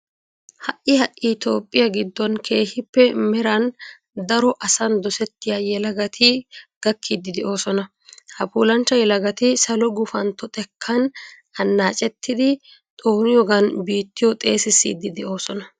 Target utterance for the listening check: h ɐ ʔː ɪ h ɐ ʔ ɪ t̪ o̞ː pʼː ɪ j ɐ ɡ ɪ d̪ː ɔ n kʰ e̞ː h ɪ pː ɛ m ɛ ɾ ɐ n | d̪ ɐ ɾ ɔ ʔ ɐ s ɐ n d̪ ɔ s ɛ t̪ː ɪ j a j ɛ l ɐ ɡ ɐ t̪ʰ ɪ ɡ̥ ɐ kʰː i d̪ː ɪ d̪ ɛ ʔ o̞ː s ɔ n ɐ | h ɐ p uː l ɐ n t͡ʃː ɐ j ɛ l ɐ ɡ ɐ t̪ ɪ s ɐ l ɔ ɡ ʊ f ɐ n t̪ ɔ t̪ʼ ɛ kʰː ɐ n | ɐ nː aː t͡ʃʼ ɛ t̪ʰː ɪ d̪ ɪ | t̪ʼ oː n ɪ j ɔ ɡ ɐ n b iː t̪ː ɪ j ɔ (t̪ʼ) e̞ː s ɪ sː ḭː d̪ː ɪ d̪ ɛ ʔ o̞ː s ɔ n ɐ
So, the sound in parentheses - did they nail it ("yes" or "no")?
yes